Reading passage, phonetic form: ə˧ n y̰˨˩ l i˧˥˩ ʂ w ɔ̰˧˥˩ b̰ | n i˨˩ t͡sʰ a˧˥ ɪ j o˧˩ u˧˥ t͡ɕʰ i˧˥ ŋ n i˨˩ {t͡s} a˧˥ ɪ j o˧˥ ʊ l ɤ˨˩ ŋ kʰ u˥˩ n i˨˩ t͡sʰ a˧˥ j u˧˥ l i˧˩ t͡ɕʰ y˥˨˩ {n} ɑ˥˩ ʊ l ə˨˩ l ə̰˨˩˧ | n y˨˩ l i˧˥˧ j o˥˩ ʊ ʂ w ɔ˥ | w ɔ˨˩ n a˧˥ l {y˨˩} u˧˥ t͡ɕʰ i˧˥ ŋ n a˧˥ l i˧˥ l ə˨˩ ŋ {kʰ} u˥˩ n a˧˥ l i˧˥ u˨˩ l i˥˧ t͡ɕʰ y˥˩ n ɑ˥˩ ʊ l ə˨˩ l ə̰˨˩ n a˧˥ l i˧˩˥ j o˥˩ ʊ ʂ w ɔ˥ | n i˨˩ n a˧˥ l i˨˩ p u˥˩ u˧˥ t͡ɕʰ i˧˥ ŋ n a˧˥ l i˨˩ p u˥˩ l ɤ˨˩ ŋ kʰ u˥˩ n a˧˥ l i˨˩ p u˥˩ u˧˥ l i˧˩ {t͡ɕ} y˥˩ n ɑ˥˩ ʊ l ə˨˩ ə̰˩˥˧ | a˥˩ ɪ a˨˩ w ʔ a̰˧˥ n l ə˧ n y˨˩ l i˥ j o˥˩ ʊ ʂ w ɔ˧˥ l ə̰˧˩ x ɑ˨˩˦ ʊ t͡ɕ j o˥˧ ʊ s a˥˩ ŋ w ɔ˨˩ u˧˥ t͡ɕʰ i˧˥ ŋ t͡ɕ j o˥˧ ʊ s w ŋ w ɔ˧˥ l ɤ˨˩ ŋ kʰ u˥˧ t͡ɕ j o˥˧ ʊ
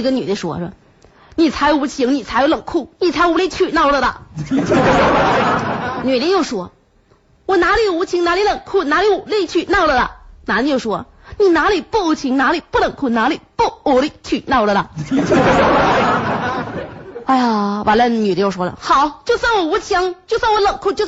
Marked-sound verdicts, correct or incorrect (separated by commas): incorrect, correct, incorrect, correct, incorrect